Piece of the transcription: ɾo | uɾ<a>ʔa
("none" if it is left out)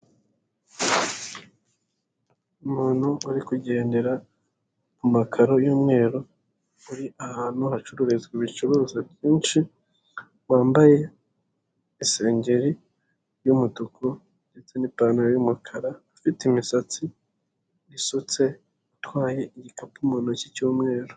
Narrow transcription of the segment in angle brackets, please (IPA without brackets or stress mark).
i